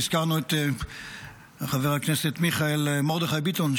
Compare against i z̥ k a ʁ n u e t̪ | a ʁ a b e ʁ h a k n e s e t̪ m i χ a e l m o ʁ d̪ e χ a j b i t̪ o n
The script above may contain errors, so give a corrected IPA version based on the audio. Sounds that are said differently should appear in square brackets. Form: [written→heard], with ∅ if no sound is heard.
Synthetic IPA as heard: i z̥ k a ʁ n u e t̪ | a [ʁ→χ] a [b→v] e ʁ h a k n e s e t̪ m i χ a e l m o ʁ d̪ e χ a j b i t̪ o n